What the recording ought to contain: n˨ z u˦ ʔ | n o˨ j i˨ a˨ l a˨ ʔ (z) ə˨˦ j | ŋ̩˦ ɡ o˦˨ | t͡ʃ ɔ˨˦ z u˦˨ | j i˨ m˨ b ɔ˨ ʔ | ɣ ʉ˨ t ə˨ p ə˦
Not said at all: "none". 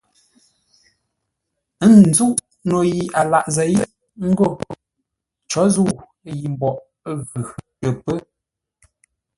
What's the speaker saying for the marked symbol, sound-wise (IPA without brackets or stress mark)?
z